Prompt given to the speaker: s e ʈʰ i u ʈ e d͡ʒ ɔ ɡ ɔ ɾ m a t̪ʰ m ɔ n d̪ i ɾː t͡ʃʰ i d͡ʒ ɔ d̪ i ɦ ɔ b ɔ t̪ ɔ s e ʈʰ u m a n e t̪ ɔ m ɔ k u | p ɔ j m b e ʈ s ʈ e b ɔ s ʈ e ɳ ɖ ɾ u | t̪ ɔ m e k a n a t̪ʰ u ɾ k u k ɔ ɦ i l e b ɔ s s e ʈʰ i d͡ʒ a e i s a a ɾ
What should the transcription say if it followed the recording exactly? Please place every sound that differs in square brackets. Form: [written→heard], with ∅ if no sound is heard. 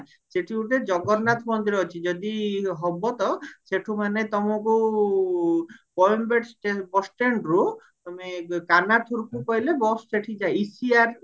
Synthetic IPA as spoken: s e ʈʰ i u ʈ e d͡ʒ ɔ ɡ ɔ ɾ [m→n] a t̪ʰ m ɔ n d̪ i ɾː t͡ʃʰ i d͡ʒ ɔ d̪ i ɦ ɔ b ɔ t̪ ɔ s e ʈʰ u m a n e t̪ ɔ m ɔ k u | p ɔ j m b e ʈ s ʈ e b ɔ s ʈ e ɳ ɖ ɾ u | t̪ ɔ m e k a n a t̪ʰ u ɾ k u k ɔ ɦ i l e b ɔ s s e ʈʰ i d͡ʒ a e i s [a→i] a ɾ